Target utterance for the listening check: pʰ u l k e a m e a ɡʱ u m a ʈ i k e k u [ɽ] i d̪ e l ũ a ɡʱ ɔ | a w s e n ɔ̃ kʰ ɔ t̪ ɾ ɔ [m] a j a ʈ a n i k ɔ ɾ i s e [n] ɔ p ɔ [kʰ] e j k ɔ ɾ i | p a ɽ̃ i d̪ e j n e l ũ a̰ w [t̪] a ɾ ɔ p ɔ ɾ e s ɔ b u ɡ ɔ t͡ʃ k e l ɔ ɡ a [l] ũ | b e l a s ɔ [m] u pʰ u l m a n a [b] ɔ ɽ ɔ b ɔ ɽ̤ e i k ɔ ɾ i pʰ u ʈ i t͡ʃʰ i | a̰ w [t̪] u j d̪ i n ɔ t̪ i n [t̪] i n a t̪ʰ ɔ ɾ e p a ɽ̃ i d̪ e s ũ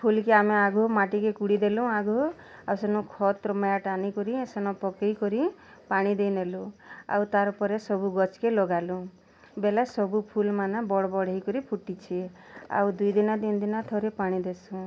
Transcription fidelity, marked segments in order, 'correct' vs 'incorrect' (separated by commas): correct, correct, correct, incorrect, correct, correct, incorrect, correct, incorrect, incorrect